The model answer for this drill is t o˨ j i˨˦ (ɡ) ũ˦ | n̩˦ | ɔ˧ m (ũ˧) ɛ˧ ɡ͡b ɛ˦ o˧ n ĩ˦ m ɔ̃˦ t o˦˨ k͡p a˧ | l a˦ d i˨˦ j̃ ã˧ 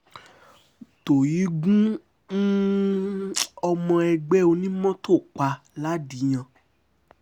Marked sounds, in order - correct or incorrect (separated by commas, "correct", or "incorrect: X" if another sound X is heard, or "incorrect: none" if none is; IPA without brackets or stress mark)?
correct, incorrect: ɔ̃˧